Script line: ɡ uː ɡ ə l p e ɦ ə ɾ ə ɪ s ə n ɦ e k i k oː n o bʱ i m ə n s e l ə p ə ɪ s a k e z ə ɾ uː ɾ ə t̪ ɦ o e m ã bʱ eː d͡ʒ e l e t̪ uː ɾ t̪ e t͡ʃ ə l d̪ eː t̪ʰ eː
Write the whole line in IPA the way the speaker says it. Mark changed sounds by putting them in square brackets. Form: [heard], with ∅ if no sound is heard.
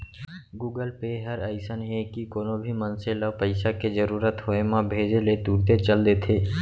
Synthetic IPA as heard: ɡ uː ɡ ə l p e ɦ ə ɾ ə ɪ s ə n ɦ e k i k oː n o bʱ i m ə n s e l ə p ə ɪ s a k e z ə ɾ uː ɾ ə t̪ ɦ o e m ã bʱ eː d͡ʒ e l e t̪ uː ɾ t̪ e t͡ʃ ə l d̪ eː t̪ʰ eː